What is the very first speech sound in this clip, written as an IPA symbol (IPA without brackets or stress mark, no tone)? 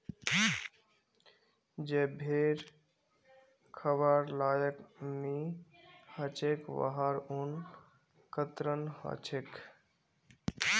d͡ʒ